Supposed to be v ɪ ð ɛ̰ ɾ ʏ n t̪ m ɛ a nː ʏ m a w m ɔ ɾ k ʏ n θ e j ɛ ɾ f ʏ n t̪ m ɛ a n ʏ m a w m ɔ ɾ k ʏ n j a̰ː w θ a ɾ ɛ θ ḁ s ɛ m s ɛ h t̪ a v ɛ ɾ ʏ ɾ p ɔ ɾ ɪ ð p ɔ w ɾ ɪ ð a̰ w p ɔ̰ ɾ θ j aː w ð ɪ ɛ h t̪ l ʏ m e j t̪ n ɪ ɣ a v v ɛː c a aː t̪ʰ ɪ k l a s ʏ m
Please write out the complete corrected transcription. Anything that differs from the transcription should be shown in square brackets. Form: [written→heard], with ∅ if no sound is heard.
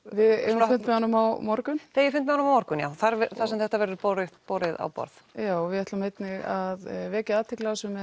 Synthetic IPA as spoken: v ɪ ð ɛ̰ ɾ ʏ n t̪ m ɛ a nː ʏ m a w m ɔ ɾ k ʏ n θ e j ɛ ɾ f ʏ n t̪ m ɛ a n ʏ m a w m ɔ ɾ k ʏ n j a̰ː w θ a ɾ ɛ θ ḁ s ɛ m [s→θ] ɛ h t̪ a v ɛ ɾ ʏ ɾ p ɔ ɾ ɪ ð p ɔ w ɾ ɪ ð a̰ w p ɔ̰ ɾ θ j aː w [ð→v] ɪ ɛ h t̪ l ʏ m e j t̪ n ɪ ɣ a [v→ð] v ɛː c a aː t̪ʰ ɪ k l a s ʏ m

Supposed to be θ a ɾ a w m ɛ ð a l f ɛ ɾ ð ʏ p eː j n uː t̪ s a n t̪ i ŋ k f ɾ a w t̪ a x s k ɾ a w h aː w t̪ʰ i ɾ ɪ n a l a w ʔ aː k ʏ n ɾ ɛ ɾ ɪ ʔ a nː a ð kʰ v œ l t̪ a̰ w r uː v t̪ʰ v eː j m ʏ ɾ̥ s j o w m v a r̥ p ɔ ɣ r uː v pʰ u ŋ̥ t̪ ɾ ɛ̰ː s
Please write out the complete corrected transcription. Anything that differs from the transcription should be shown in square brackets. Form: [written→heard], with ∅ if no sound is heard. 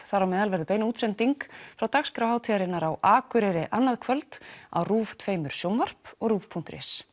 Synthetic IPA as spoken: θ a ɾ a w m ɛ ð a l [f→v] ɛ ɾ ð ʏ p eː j n uː t̪ s [a→ɛ] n t̪ i ŋ k f ɾ a w t̪ a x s k ɾ a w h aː w t̪ʰ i ɾ ɪ n a [l→ɾ] a w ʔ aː k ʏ [n→∅] ɾ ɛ ɾ ɪ ʔ a nː a ð kʰ v œ l t̪ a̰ w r uː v t̪ʰ v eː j m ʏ ɾ̥ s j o w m v a r̥ p ɔ ɣ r uː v pʰ u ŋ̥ t̪ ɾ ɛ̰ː s

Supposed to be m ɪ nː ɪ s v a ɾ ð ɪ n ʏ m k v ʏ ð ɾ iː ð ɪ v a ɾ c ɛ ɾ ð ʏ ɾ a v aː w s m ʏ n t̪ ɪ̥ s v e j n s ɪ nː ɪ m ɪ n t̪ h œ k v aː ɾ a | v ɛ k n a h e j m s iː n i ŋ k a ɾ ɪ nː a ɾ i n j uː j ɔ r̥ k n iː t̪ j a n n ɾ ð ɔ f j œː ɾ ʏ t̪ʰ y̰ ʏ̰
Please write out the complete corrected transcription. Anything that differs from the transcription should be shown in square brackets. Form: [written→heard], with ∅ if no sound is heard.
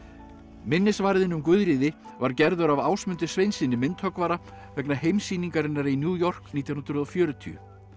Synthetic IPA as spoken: m ɪ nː ɪ s v a ɾ ð ɪ n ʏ m k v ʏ ð ɾ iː ð ɪ v a ɾ c ɛ ɾ ð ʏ ɾ a v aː w s m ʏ n t̪ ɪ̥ s v e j n s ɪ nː ɪ m ɪ n t̪ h œ k v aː ɾ a | v ɛ k n a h e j m s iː n i ŋ k a ɾ ɪ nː a ɾ i n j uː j ɔ r̥ k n iː t̪ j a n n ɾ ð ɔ f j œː ɾ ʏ t̪ʰ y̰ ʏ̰

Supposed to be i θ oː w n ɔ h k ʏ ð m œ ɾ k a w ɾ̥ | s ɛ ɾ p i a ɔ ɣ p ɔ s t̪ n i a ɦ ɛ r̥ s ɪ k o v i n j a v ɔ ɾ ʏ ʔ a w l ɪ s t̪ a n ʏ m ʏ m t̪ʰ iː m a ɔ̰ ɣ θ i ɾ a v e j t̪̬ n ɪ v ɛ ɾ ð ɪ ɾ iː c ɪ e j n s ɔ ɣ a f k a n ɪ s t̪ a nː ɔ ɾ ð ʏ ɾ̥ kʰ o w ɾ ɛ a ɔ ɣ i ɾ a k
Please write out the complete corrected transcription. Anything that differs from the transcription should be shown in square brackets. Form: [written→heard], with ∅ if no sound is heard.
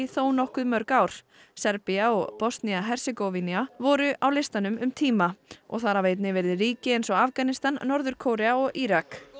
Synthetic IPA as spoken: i θ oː w n ɔ h k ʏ ð m œ ɾ k a w ɾ̥ | s ɛ ɾ p i a ɔ ɣ p ɔ s t̪ n i a ɦ ɛ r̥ s ɪ k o v i n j a v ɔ ɾ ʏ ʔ a w l ɪ s t̪ a n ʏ m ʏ m t̪ʰ iː m a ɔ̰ ɣ θ [i→a] ɾ a v e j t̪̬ n ɪ v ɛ ɾ ð ɪ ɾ iː c ɪ e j n s ɔ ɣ a f k a n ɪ s t̪ a nː ɔ ɾ ð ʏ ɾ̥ kʰ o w ɾ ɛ a ɔ ɣ i ɾ a k

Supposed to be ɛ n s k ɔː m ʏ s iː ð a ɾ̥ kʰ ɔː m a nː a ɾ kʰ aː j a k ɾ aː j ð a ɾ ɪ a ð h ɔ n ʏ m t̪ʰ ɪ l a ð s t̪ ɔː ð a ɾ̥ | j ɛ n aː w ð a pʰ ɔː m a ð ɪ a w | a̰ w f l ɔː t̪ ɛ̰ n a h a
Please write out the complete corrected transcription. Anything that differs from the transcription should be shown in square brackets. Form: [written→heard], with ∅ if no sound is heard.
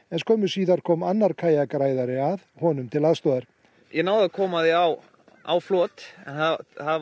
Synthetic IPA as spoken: ɛ n s k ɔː m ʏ s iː ð a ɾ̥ kʰ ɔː m a nː a ɾ kʰ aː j a k ɾ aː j ð a ɾ ɪ a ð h ɔ n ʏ m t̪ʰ ɪ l a ð s t̪ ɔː ð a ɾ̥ | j ɛ n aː w ð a [pʰ→kʰ] ɔː m a ð ɪ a w | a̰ w f l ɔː t̪ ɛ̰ n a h a

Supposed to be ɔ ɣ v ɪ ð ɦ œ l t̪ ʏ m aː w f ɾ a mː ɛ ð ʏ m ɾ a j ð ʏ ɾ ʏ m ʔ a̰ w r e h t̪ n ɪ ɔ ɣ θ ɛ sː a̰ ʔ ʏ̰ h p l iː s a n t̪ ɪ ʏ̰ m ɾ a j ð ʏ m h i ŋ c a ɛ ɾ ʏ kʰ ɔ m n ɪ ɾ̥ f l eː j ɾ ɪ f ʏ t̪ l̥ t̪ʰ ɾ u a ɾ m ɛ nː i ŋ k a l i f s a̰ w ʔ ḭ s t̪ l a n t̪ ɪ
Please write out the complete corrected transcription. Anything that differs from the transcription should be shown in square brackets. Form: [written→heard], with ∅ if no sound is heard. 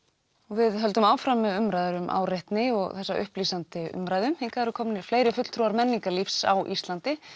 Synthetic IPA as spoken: ɔ ɣ v ɪ ð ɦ œ l t̪ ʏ m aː w f ɾ a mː ɛ ð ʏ m ɾ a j ð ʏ ɾ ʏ m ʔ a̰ w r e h t̪ n ɪ ɔ ɣ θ ɛ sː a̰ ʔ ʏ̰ h p l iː s a n t̪ ɪ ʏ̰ m ɾ a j ð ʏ m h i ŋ [c→k] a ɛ ɾ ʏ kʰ ɔ m n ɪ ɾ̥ f l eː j ɾ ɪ f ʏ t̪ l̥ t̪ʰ ɾ u a ɾ m ɛ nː i ŋ k a l i f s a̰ w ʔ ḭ s t̪ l a n t̪ ɪ

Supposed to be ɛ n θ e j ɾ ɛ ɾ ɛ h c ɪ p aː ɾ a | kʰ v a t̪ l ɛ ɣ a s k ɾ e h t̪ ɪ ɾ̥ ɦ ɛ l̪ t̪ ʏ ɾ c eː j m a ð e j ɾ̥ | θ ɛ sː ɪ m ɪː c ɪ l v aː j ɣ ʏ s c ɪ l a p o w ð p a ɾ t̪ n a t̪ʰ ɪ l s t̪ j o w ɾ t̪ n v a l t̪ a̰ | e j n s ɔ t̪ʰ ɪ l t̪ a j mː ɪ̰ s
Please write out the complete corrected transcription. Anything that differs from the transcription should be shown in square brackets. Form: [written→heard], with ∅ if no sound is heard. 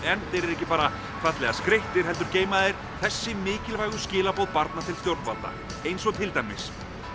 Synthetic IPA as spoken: ɛ n θ e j ɾ ɛ ɾ ɛ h c ɪ p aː ɾ a | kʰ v a t̪ l ɛ ɣ a s k ɾ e h t̪ ɪ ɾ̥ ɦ ɛ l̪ t̪ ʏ ɾ c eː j m a ð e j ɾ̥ | θ ɛ sː ɪ m ɪː c ɪ l v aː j ɣ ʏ s c [ɪ→ɪː] l a p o w ð p a ɾ t̪ n a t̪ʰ ɪ l s t̪ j o w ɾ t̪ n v a l t̪ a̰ | e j n s ɔ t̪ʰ ɪ l t̪ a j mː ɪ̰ s

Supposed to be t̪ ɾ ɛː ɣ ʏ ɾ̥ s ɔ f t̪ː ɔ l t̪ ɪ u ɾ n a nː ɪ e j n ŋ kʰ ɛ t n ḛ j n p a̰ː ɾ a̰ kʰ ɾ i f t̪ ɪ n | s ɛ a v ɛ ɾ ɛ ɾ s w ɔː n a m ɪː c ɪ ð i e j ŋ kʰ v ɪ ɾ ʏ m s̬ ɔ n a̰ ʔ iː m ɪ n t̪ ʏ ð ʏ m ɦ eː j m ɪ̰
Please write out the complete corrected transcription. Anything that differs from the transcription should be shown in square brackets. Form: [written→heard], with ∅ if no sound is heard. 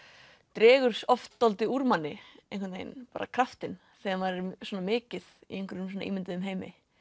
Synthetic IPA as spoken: t̪ ɾ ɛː ɣ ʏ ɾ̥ s ɔ f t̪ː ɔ l t̪ ɪ u ɾ [n→m] a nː ɪ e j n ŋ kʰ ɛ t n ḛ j n p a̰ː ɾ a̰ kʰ ɾ [i→a] f t̪ ɪ n | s ɛ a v [ɛ→a] ɾ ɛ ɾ s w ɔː n a m ɪː c ɪ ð i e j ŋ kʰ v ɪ ɾ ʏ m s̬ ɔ n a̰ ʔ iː m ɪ n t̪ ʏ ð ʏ m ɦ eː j m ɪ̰

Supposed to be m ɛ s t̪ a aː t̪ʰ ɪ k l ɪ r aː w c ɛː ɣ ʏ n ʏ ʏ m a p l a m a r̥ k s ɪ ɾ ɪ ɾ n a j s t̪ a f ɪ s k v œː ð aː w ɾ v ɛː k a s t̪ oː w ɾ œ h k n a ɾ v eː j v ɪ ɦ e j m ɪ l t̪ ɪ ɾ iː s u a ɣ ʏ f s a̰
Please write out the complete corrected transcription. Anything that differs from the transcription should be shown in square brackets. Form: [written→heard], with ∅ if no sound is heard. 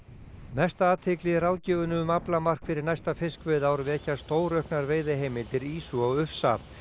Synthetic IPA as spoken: m ɛ s t̪ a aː t̪ʰ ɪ k l ɪ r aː w c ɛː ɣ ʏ n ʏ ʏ m a p l a m a r̥ k [s→f] ɪ ɾ ɪ ɾ n a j s t̪ a f ɪ s k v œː ð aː w ɾ v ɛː [k→c] a s t̪ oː w ɾ œ h k n a ɾ v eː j [v→ð] ɪ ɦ e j m ɪ l t̪ ɪ ɾ iː s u a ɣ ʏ f s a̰

